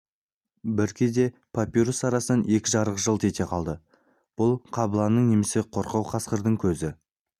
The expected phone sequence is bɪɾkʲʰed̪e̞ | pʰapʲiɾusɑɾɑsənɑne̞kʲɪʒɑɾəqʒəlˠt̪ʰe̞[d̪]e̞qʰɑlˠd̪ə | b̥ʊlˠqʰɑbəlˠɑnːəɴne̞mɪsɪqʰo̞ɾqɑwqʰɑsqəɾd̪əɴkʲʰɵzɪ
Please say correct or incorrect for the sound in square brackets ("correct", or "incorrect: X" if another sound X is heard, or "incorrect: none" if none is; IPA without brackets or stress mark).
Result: incorrect: t̪